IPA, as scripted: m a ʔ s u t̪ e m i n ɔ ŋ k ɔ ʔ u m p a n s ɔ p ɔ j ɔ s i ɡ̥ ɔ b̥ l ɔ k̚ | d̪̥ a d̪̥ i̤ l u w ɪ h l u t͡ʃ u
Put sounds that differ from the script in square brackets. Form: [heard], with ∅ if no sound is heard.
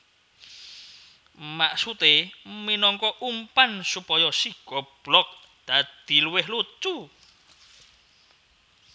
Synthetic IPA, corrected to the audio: m a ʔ s u t̪ e m i n ɔ ŋ k ɔ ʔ u m p a n s [u] p ɔ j ɔ s i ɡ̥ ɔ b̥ l ɔ k̚ | d̪̥ a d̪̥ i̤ l u w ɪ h l u t͡ʃ u